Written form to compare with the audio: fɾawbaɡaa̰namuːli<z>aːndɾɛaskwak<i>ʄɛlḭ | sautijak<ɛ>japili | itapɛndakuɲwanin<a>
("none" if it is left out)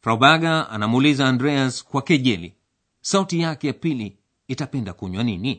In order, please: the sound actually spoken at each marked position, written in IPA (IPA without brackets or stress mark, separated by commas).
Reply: z, ɛ, ɛ, i